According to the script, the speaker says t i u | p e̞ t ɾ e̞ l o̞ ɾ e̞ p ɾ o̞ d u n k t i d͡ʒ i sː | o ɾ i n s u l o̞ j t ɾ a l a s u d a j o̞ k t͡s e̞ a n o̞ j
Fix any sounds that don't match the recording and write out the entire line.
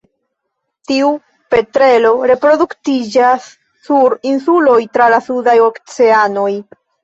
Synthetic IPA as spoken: t i u | p e̞ t ɾ e̞ l o̞ ɾ e̞ p ɾ o̞ d u k t i d͡ʒ a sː | u ɾ i n s u l o̞ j t ɾ a l a s u d a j o̞ k t͡s e̞ a n o̞ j